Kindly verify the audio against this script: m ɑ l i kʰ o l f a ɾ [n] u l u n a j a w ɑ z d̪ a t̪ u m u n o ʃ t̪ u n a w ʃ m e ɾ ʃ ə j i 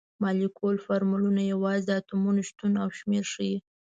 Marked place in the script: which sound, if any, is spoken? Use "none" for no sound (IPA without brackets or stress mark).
m